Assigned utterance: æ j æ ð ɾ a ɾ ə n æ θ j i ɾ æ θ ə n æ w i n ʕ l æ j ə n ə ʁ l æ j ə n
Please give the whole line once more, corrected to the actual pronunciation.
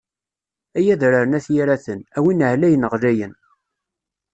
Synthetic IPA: æ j æ ð ɾ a ɾ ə n æ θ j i ɾ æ θ ə n æ w i n ʕ l æ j ə n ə ʁ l æ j ə n

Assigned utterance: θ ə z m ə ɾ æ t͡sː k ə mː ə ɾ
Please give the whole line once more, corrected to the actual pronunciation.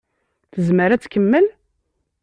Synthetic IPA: θ ə z m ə ɾ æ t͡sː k ə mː ə l

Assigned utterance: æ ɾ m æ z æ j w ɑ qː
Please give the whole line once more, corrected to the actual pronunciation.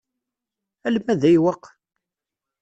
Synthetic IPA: æ l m æ ð æ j w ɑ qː

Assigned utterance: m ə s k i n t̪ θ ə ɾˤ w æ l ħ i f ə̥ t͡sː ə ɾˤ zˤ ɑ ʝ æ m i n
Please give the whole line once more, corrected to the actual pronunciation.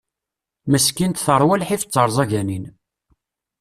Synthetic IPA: m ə s k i n t̪ θ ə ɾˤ w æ l ħ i f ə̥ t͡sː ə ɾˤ zˤ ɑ ʝ æ n i n

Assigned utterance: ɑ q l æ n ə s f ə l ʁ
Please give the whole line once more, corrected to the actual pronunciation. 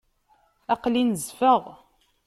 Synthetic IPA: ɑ q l i n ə z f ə ʁ

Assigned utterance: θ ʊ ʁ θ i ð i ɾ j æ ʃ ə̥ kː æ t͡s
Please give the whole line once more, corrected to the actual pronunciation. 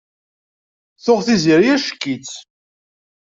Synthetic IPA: θ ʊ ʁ θ i z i ɾ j æ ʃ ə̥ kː i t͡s

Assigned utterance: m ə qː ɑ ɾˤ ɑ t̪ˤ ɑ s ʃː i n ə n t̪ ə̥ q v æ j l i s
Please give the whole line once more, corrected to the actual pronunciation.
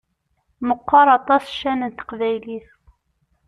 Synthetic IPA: m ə qː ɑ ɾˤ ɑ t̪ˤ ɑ s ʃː æ n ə n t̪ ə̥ q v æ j l i θ

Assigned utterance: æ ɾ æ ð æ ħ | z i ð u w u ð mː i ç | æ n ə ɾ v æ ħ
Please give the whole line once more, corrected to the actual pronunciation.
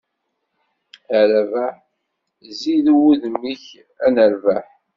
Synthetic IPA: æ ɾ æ v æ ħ | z i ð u w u ð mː i ç | æ n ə ɾ v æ ħ

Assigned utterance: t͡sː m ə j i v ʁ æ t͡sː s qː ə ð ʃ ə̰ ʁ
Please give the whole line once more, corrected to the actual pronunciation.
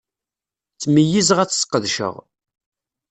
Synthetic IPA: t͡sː m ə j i z ʁ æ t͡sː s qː ə ð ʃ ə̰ ʁ

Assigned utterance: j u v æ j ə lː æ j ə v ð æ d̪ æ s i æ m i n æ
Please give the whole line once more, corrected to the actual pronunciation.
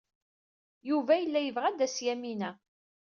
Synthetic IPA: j u v æ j ə lː æ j ə v ʁ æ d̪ æ s j æ m i n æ

